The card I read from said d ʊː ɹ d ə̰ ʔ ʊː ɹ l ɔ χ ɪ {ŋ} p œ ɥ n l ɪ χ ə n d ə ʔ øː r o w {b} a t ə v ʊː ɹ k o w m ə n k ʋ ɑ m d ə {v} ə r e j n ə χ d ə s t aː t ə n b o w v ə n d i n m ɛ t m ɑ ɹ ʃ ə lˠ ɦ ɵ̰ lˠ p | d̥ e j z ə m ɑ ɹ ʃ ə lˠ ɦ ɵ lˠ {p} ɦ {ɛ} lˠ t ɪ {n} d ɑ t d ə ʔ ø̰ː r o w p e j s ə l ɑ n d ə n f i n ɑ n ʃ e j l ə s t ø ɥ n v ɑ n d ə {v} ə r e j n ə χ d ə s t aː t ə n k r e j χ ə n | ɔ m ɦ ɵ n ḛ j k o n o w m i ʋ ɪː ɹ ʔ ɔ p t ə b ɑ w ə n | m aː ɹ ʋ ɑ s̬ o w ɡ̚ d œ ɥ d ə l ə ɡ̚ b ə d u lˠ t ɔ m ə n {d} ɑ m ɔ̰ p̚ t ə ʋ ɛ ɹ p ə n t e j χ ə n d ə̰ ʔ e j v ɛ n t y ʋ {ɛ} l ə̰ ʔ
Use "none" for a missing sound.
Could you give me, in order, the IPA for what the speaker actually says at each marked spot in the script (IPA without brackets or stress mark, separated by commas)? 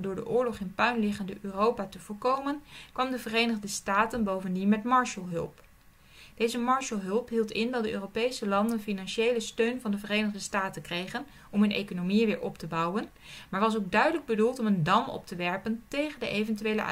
n, p, v, p, i, n, v, d, e